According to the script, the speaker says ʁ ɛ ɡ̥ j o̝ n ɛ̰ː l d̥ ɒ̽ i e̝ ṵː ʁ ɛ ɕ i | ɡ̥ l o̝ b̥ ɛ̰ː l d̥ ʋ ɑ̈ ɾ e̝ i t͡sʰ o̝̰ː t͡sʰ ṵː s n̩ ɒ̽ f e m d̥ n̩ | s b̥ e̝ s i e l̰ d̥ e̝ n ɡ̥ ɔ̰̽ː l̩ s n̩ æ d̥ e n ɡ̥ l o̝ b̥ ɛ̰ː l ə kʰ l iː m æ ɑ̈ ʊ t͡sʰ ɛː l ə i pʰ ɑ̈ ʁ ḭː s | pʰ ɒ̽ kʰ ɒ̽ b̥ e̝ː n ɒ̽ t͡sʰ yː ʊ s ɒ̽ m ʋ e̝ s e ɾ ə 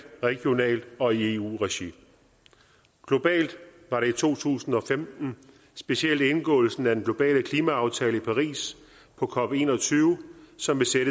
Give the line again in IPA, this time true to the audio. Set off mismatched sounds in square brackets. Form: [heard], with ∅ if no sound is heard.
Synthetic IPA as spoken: ʁ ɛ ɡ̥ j o̝ n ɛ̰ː l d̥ ɒ̽ i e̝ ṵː ʁ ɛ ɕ i | ɡ̥ l o̝ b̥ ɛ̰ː l d̥ ʋ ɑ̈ ɾ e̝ i t͡sʰ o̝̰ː t͡sʰ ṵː s n̩ ɒ̽ f e m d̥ n̩ | s b̥ e̝ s i e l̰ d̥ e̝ n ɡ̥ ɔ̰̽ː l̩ s n̩ æ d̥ e n ɡ̥ l o̝ b̥ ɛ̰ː l ə kʰ l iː m æ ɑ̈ ʊ t͡sʰ ɛː l ə i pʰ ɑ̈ ʁ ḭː s | pʰ ɒ̽ kʰ ɒ̽ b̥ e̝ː n ɒ̽ t͡sʰ yː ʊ s ɒ̽ m ʋ e̝ s e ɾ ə